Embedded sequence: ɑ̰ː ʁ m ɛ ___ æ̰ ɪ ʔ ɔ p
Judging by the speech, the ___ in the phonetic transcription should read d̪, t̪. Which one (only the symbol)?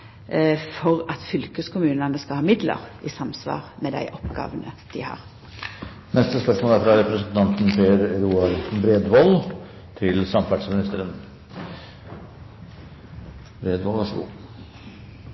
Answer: d̪